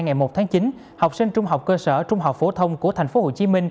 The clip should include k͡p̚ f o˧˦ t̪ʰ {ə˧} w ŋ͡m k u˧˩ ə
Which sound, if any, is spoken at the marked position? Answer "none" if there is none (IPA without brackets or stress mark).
ə˧